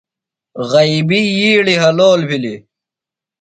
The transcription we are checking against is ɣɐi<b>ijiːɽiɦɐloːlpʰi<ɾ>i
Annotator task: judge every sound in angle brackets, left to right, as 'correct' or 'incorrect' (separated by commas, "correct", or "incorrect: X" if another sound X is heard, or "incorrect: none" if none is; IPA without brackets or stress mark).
correct, incorrect: l